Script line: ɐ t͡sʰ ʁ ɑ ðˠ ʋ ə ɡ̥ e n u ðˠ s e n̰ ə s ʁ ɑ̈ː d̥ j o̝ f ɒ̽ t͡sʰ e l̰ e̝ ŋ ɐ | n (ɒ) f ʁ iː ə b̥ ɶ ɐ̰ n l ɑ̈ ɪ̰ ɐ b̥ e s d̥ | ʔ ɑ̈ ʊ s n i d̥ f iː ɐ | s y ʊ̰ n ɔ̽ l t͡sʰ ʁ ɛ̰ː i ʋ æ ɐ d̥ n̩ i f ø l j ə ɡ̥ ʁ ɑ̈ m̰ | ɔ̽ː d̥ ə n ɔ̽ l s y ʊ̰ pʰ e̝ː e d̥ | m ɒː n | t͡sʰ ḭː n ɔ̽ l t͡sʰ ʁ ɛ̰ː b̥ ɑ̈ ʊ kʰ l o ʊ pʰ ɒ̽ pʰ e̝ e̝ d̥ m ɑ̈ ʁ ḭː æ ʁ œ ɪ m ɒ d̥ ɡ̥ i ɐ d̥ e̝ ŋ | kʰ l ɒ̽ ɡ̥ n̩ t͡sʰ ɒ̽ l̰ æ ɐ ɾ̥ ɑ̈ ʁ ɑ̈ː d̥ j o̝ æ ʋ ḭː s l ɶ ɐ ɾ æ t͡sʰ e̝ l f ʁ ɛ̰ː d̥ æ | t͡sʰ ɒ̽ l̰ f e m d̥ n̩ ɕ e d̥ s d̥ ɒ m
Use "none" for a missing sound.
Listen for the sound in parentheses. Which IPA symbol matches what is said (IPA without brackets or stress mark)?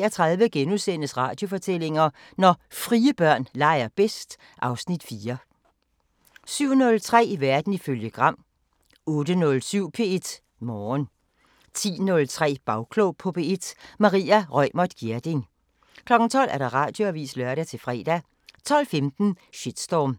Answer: ɒ